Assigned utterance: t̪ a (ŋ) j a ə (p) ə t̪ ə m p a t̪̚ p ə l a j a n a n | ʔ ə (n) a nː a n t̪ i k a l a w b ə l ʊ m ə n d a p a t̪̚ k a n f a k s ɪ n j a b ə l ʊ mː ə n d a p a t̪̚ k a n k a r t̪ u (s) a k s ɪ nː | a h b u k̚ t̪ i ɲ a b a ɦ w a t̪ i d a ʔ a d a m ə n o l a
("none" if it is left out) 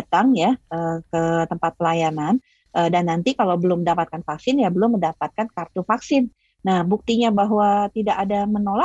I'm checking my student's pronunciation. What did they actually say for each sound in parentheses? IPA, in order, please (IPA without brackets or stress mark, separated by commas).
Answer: ŋ, k, d, f